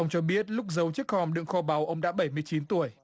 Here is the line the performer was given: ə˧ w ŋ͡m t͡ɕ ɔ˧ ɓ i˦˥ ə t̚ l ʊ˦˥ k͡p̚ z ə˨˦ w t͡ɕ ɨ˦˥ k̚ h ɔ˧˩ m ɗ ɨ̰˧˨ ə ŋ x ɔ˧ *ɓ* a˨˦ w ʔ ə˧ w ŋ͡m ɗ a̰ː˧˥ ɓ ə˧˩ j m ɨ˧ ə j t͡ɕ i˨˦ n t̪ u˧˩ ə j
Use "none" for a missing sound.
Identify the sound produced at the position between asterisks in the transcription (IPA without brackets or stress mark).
ɓ